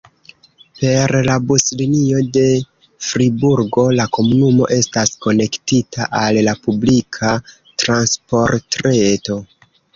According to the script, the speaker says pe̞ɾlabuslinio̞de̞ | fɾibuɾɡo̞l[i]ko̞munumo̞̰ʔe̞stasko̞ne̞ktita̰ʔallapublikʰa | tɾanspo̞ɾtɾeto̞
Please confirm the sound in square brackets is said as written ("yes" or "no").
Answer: no